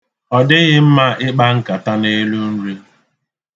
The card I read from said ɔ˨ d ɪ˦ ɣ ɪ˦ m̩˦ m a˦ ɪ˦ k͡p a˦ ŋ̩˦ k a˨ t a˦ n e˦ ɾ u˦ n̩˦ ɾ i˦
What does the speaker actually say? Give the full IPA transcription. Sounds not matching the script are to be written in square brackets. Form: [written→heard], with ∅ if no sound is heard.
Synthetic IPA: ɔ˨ d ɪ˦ ɣ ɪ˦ m̩˦ m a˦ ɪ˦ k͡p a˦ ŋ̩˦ k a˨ t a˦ n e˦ [ɾ→l] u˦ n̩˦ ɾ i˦